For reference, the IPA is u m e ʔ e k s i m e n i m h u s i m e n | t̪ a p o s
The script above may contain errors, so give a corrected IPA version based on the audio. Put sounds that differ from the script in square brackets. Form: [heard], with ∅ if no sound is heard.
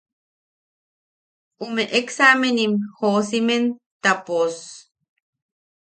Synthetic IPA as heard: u m e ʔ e k s [a] m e n i m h [o] s i m e n | t̪ a p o s